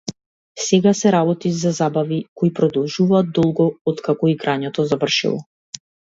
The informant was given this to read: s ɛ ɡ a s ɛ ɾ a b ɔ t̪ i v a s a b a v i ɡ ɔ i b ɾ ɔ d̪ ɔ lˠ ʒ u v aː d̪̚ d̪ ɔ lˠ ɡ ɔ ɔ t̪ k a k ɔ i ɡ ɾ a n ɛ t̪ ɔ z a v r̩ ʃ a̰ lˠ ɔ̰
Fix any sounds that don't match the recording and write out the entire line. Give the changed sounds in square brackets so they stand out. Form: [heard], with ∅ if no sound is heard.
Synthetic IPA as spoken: s ɛ ɡ a s ɛ ɾ a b ɔ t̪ i [z] a [z] a b a v i [k] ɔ i [p] ɾ ɔ d̪ ɔ lˠ ʒ u v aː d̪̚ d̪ ɔ lˠ ɡ ɔ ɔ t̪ k a k ɔ i ɡ ɾ a [ɲ] ɛ t̪ ɔ z a v r̩ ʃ [ḭ] lˠ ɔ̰